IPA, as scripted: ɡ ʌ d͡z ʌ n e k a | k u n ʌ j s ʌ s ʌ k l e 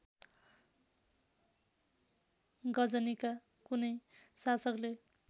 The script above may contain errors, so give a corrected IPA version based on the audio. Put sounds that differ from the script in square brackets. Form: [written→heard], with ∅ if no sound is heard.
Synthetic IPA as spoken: ɡ ʌ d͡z ʌ n [e→i] k a | k u n ʌ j s [ʌ→a] s ʌ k l e